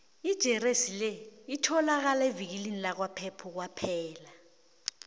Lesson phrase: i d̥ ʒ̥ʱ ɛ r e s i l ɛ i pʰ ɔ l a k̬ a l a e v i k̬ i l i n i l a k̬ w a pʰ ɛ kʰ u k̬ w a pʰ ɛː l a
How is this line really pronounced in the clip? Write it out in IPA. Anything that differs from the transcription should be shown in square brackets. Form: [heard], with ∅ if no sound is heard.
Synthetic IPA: i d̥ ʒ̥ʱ ɛ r e s i l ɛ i [tʰ] ɔ l a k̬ a l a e v i k̬ i l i n i l a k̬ w a pʰ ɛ [pʰ] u k̬ w a pʰ ɛː l a